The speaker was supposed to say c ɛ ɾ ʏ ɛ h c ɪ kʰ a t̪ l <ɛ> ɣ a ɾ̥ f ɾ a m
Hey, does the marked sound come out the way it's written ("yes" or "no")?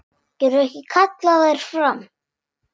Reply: no